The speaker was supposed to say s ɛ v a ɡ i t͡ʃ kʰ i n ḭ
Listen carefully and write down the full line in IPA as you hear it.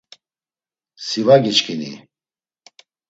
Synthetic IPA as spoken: s i v a ɡ i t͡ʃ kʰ i n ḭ